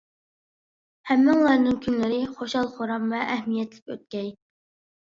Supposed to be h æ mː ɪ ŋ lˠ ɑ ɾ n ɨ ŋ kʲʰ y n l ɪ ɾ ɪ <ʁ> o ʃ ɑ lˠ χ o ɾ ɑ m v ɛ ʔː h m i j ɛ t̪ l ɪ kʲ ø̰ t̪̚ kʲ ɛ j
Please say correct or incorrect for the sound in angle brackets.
incorrect